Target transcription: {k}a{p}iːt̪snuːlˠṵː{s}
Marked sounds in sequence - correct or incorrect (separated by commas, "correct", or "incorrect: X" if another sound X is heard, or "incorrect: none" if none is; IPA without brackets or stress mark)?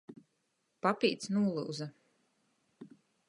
incorrect: p, correct, incorrect: z